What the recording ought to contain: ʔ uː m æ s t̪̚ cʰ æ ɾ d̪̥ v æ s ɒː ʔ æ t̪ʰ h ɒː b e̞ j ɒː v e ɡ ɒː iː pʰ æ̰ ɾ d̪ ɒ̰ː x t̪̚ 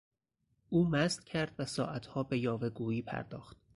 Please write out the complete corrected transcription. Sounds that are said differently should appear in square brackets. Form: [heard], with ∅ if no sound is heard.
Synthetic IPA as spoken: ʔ uː m æ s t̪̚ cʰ æ ɾ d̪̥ v æ s ɒː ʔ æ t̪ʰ h ɒː b e̞ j ɒː v e ɡ [uː] iː pʰ æ̰ ɾ d̪ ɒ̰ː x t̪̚